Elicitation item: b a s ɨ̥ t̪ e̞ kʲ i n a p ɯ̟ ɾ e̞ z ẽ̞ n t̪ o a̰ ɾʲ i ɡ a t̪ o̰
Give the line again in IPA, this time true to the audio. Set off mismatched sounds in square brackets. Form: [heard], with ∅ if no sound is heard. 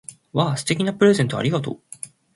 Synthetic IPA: [β] a s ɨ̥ t̪ e̞ kʲ i n a p ɯ̟ ɾ e̞ z ẽ̞ n t̪ o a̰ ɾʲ i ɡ a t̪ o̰

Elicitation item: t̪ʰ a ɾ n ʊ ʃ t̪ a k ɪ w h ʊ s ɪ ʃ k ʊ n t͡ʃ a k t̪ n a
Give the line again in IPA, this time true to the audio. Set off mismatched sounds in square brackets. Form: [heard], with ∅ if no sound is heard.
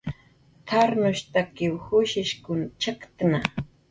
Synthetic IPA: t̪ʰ a ɾ n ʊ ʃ t̪ a k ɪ w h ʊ [ʃ] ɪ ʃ k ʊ n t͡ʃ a k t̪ n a

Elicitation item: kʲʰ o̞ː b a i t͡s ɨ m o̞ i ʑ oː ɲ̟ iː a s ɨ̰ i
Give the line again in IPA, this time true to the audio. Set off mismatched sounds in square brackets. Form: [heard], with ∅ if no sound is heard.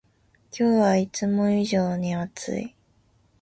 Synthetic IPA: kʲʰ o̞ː [β] a i t͡s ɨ m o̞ i ʑ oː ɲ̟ [i] a [t͡s] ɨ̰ i

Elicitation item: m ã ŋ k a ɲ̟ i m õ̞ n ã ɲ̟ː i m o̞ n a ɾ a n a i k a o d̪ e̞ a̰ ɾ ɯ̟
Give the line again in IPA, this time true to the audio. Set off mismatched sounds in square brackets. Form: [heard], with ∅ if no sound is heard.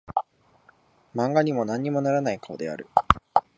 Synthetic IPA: m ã ŋ [ɡ] a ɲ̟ i m [o̞] n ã ɲ̟ː i m o̞ n a ɾ a n a i k a o d̪ e̞ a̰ ɾ ɯ̟

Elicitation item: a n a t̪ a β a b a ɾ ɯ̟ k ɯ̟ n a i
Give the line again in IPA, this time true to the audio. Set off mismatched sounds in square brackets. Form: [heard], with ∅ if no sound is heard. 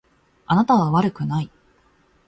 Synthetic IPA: a n a t̪ a β a [β] a ɾ ɯ̟ k ɯ̟ n a i

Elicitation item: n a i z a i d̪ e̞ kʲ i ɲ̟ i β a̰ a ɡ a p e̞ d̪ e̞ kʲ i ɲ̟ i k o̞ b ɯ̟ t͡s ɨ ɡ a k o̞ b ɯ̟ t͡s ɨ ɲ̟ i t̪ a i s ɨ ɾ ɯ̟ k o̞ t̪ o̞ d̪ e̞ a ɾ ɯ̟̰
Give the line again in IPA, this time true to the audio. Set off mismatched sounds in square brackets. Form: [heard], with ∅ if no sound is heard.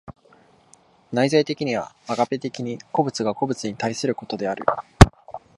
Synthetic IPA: n a i z a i [t̪] e̞ kʲ i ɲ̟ i β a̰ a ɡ a p e̞ [t̪] e̞ kʲ i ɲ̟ i k o̞ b ɯ̟ t͡s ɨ ɡ a k o̞ b ɯ̟ t͡s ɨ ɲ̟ i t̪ a i s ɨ ɾ ɯ̟ k o̞ t̪ o̞ d̪ e̞ a ɾ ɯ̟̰

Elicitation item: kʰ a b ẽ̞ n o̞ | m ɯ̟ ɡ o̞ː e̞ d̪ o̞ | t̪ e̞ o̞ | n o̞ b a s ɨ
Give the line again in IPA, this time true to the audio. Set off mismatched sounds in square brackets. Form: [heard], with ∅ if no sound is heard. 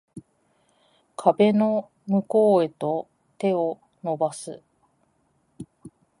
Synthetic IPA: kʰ a b [e̞] n o̞ | m ɯ̟ [k] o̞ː e̞ [t̪] o̞ | t̪ e̞ o̞ | n o̞ b a s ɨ

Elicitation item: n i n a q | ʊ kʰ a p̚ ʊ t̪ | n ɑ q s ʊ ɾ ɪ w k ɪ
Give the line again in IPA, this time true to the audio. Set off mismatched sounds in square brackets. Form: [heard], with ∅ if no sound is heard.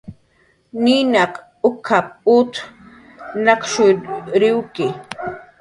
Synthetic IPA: n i n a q | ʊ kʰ a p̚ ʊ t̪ | n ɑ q [ʃ] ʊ ɾ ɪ w k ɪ

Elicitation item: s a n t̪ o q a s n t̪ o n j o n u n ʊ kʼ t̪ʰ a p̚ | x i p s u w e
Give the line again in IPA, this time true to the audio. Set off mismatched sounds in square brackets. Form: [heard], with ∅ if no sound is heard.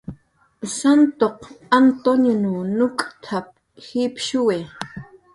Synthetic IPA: s a n t̪ o q a [∅] n t̪ o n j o n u n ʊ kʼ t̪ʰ a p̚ | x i p [ʃ] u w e

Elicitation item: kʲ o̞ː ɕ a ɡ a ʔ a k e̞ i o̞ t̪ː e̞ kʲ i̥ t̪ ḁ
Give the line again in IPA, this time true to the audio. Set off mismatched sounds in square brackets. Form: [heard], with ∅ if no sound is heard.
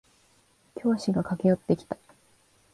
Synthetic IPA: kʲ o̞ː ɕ [i] ɡ a [k] a k e̞ [j] o̞ t̪ː e̞ kʲ i̥ t̪ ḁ

